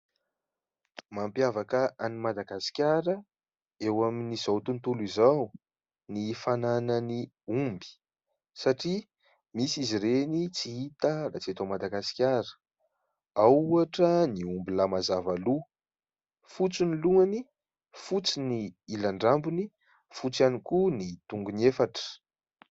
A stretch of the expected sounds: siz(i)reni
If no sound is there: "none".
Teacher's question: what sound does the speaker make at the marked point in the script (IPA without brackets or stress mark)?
i